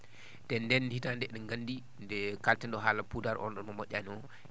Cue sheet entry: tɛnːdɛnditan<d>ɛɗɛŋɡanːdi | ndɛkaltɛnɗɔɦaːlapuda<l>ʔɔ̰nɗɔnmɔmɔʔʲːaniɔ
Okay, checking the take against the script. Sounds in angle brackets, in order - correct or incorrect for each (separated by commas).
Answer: correct, incorrect